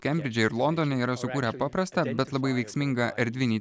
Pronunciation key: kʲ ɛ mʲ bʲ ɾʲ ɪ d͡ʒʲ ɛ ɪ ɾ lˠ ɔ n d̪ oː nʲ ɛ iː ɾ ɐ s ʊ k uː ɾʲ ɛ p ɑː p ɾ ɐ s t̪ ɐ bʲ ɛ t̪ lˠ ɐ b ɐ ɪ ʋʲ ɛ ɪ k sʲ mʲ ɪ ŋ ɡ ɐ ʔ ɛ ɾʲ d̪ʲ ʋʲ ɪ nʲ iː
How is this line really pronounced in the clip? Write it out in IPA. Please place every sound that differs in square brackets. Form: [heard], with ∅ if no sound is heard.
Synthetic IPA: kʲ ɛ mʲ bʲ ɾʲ ɪ d͡ʒʲ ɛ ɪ ɾ lˠ ɔ n d̪ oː nʲ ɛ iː ɾ ɐ s ʊ k uː ɾʲ ɛ p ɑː p ɾ ɐ s t̪ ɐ bʲ ɛ t̪ lˠ ɐ b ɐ ɪ ʋʲ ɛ ɪ k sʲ mʲ ɪ ŋ ɡ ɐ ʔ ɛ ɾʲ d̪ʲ ʋʲ ɪ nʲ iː